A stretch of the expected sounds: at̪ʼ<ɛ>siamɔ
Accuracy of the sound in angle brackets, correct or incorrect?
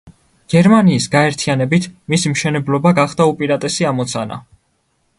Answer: correct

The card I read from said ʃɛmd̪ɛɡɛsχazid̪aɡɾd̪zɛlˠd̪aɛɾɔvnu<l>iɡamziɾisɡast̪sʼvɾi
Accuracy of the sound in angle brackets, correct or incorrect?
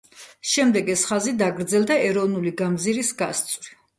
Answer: correct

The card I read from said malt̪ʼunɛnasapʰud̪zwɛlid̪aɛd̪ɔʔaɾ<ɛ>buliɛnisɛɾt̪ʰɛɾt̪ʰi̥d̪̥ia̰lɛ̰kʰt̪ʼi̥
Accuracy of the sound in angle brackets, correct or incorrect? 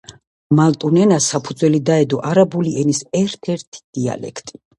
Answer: incorrect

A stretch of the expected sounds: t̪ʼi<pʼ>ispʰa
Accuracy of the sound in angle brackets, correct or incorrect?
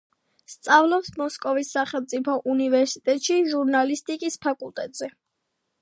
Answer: incorrect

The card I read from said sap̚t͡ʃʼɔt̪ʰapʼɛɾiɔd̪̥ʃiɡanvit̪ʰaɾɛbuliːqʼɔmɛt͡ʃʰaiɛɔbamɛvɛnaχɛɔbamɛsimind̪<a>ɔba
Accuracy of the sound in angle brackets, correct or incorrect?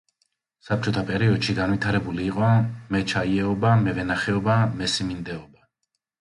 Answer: incorrect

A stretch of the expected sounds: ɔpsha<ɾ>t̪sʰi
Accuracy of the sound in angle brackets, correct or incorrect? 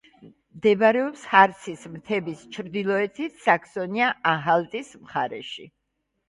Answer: correct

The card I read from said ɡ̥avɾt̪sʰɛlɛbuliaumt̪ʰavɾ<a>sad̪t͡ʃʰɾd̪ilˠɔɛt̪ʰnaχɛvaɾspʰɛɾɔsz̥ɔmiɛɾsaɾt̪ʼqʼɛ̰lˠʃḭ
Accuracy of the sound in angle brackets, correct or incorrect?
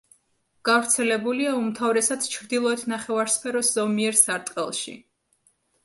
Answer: incorrect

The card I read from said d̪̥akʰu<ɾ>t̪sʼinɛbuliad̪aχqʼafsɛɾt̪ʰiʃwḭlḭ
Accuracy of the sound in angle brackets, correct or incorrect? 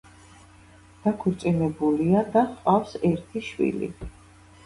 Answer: correct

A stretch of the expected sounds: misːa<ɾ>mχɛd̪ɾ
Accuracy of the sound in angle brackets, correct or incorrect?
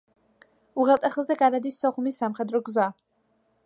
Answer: incorrect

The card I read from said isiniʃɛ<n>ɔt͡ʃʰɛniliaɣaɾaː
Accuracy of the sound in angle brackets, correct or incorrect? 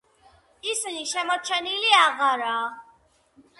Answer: incorrect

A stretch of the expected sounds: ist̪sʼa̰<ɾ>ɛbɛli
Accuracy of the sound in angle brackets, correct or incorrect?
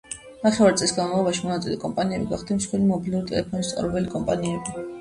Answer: correct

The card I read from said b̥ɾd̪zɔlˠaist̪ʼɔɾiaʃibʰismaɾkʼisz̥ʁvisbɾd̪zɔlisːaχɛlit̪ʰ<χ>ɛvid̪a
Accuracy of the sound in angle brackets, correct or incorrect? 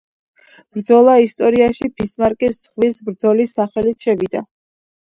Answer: incorrect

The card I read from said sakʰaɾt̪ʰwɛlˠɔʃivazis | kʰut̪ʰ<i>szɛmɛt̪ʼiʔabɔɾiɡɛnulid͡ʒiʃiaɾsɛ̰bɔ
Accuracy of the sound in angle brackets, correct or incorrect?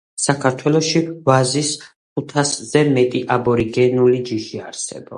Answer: incorrect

